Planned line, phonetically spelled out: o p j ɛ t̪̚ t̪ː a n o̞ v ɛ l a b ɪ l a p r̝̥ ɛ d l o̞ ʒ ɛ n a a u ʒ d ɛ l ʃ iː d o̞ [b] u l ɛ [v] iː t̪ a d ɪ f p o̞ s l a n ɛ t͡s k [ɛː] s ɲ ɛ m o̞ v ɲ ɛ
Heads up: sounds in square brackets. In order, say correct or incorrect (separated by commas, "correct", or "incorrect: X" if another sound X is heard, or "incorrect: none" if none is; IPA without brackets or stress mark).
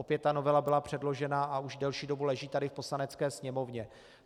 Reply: correct, incorrect: ʒ, correct